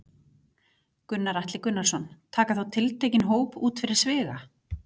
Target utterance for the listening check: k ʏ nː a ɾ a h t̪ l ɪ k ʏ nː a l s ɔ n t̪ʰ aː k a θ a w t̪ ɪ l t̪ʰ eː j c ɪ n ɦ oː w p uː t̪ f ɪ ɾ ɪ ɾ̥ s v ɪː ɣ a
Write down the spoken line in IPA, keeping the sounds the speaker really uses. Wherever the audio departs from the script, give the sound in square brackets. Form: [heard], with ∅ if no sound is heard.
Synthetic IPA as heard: k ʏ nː a ɾ a h t̪ l ɪ k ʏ nː a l s ɔ n t̪ʰ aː k a θ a w [t̪ʰ] ɪ l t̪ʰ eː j c ɪ n ɦ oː w p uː t̪ f ɪ ɾ ɪ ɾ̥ s v ɪː ɣ a